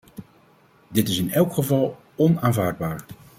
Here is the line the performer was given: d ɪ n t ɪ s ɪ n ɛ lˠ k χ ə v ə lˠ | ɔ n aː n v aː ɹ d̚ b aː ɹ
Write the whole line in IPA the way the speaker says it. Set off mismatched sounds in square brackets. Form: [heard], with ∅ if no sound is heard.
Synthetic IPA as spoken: d ɪ [∅] t ɪ s ɪ n ɛ lˠ k χ ə v [ɑ] lˠ | ɔ n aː n v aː ɹ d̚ b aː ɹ